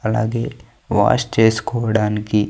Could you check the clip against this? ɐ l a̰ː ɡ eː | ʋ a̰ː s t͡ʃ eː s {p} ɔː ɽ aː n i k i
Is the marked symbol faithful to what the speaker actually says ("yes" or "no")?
no